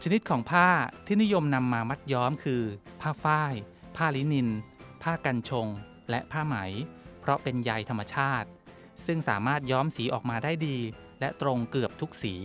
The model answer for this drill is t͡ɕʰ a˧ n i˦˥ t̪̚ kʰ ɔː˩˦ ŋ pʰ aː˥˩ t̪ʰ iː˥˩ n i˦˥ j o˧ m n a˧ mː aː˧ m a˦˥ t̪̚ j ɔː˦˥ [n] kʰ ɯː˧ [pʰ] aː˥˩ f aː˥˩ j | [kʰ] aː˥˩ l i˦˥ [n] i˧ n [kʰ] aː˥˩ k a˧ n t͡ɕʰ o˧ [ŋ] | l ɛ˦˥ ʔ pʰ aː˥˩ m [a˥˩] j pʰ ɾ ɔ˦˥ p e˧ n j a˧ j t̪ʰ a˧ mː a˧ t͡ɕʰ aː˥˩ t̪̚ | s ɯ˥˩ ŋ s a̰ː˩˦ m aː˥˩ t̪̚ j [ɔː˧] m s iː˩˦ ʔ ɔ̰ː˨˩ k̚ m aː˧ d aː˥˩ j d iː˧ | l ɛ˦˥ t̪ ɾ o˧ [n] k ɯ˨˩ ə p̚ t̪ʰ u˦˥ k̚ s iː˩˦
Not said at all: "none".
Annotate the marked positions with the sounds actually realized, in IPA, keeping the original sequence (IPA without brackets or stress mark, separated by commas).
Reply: m, pʰ, pʰ, n, pʰ, ŋ, a˩˦, ɔː˦˥, ŋ